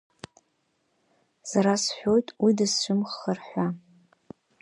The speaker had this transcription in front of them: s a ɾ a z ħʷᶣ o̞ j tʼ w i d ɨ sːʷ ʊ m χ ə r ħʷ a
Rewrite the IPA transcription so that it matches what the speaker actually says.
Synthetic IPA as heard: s a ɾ a s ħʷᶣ o̞ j tʼ w i d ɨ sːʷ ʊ m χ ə r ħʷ a

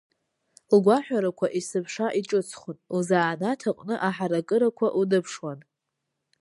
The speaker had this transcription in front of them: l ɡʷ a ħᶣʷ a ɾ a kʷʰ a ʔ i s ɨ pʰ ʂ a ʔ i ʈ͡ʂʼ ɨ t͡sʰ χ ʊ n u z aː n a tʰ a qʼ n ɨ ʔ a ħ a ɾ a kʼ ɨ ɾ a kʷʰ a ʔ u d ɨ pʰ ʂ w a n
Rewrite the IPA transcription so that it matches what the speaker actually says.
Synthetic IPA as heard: l ɡʷ a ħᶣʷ a ɾ a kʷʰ a ʔ i s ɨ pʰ ʂ a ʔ i ʈ͡ʂʼ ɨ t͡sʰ χ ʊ n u z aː n a tʰ a qʼ n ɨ ʔ a ħ a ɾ a kʼ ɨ ɾ a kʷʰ a ʔ u d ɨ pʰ ʂ w a n

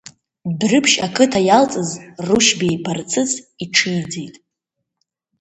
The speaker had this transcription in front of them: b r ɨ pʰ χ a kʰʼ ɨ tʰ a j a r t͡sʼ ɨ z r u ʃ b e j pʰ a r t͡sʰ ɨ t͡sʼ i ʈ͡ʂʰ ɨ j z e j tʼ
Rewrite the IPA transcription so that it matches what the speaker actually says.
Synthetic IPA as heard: b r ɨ pʰ ʃ a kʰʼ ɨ tʰ a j a l t͡sʼ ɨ z r u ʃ b e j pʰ a r t͡sʰ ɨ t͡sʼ i ʈ͡ʂʰ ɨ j d͡z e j tʼ

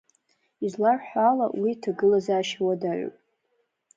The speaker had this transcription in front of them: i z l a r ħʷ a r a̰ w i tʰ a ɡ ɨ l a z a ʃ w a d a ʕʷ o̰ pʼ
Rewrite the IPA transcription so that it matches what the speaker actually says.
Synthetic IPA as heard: i z l a r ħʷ a l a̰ w i tʰ a ɡ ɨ l a z a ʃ w a d a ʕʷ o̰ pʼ

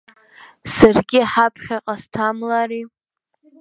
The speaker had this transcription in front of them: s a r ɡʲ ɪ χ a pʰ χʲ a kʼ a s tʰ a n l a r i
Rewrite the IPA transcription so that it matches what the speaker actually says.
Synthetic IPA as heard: s a r ɡʲ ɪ ħ a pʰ χʲ a qʼ a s tʰ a m l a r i

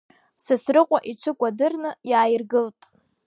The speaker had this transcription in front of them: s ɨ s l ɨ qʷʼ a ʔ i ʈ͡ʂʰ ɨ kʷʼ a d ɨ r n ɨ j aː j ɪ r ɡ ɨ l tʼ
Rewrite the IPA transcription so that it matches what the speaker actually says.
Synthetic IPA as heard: s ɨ s r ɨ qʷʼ a ʔ i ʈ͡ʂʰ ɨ kʷʼ a d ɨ r n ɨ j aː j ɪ r ɡ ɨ l tʼ

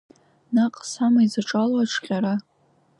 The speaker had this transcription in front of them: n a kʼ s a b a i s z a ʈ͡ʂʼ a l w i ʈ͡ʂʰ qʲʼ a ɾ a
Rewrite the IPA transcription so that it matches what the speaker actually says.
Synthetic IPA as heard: n a qʼ s a m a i z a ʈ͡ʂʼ a l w a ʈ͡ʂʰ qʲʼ a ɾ a

